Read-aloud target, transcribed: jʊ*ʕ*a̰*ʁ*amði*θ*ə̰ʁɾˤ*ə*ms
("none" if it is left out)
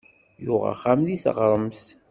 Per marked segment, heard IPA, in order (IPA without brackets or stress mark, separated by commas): ʁ, χ, θ, ə